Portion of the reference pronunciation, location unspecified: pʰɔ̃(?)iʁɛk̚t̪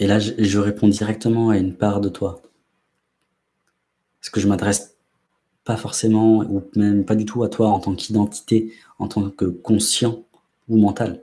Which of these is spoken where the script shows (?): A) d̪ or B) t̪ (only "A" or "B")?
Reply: A